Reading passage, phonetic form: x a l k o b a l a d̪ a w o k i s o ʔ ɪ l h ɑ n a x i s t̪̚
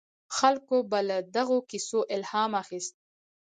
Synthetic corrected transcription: x a l k o b a l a d̪ a ɣ o k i s o ʔ ɪ l h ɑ m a x i s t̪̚